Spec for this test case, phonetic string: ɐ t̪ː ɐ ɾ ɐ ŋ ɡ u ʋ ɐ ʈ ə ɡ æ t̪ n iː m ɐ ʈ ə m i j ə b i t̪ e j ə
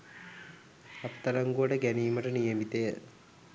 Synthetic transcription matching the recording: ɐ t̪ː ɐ ɾ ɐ ŋ ɡ u ʋ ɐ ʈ ə ɡ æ n iː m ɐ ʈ ə n i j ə m i t̪ e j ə